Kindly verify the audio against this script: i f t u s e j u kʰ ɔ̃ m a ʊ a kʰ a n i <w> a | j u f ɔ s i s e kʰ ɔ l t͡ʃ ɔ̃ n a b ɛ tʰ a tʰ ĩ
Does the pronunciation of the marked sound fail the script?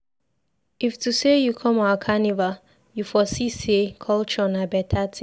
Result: yes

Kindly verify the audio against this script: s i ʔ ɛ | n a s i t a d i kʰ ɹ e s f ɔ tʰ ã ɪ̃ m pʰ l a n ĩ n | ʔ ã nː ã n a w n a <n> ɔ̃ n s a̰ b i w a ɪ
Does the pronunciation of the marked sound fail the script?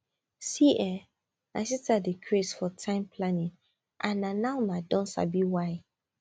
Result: yes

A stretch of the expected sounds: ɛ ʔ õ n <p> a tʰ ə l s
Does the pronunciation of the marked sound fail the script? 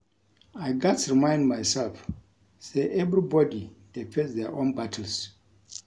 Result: yes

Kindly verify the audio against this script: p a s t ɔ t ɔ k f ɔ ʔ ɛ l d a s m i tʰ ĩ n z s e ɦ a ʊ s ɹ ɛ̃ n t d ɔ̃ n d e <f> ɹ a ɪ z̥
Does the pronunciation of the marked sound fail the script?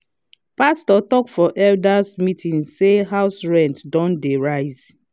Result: yes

